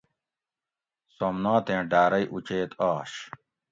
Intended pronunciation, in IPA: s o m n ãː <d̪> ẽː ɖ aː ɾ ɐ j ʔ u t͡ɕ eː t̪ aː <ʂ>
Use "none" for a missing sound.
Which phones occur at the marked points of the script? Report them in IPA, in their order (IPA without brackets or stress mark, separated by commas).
t̪, ɕ